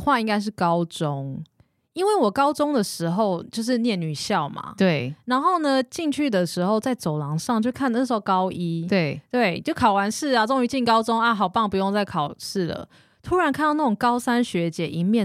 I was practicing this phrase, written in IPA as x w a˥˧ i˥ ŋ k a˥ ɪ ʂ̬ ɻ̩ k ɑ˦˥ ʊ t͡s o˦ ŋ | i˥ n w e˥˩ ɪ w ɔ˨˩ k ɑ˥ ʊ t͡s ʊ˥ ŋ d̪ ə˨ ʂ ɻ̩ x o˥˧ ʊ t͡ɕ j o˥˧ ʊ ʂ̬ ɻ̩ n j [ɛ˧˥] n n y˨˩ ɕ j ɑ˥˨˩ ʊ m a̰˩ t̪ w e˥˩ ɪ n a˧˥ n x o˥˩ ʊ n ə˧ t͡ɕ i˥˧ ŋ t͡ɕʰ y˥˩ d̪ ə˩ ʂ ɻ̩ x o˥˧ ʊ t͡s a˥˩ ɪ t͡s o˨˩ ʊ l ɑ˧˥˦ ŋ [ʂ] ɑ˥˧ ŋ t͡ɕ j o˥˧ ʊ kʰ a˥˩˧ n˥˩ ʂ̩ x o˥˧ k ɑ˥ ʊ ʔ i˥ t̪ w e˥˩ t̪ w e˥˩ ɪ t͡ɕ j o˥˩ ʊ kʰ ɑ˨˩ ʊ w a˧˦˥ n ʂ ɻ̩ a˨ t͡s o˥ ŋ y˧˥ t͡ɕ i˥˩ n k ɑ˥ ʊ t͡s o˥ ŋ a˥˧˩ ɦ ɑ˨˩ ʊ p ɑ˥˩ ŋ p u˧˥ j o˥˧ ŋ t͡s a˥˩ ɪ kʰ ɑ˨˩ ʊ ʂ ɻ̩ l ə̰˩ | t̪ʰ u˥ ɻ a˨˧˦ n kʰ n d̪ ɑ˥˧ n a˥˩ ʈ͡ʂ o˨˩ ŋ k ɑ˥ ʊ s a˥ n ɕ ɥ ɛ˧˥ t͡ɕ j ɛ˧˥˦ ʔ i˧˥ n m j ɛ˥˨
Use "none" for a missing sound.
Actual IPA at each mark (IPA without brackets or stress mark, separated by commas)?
ɛ˥˩, ʂ